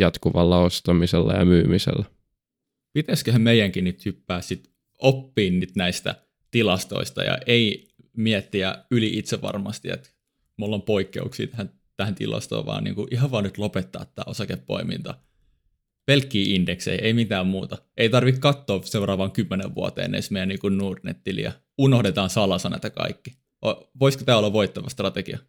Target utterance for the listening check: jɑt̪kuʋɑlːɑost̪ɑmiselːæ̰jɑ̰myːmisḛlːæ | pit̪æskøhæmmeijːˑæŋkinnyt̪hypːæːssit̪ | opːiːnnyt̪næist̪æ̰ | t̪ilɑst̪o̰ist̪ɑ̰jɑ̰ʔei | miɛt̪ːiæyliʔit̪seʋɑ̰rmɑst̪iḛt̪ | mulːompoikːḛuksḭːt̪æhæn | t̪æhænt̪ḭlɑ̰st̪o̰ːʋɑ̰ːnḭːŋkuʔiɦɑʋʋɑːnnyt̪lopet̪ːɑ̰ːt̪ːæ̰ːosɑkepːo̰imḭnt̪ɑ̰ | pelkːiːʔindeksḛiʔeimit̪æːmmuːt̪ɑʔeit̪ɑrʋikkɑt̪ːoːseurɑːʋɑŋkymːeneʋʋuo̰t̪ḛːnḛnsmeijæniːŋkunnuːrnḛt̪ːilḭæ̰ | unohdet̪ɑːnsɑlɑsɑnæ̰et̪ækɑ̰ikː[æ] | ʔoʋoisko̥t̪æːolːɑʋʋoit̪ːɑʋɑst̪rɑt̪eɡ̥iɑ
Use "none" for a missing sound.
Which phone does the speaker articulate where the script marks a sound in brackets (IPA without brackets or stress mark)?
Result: i